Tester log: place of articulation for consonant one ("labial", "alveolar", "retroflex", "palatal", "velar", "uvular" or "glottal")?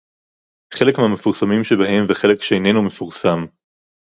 uvular